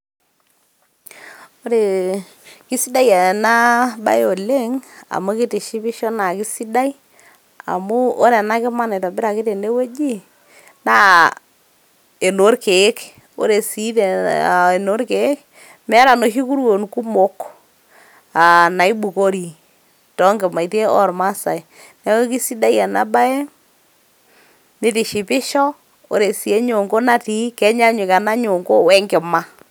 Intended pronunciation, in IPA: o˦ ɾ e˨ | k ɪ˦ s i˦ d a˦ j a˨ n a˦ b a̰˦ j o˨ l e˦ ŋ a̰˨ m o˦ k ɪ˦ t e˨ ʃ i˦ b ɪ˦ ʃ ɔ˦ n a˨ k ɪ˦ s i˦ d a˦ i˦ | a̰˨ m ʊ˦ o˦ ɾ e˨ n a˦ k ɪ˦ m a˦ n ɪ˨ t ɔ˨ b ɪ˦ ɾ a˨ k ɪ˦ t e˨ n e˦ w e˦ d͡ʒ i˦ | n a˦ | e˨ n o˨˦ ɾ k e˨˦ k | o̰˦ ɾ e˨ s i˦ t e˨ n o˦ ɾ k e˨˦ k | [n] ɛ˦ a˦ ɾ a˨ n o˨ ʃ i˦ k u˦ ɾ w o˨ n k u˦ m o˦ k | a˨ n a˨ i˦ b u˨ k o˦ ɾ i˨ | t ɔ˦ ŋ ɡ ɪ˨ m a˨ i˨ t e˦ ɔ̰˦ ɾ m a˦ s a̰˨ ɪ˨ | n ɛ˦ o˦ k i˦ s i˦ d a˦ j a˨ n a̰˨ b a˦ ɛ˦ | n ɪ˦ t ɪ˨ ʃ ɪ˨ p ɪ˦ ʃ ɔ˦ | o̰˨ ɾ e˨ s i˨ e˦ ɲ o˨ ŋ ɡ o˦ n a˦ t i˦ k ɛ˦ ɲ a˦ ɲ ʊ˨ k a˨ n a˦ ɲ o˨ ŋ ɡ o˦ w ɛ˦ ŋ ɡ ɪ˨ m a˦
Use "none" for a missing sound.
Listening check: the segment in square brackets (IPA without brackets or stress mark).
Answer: m